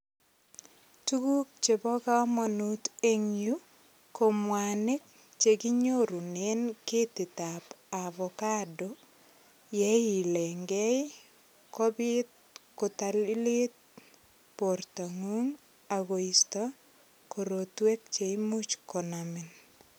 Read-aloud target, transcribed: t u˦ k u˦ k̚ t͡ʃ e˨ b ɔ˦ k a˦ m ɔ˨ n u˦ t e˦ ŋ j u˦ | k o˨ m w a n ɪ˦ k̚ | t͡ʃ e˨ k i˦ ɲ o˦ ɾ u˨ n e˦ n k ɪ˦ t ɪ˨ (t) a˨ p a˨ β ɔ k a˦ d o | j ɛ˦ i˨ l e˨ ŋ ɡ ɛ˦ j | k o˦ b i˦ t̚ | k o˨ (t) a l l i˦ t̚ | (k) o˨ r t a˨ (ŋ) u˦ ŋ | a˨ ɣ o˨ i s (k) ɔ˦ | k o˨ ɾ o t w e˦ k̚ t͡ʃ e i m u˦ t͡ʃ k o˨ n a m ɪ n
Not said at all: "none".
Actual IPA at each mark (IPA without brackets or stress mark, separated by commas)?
t, t, p, ŋ, t